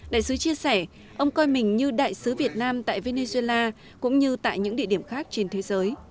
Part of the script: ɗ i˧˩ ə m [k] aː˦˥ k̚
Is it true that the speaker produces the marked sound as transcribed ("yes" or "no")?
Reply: no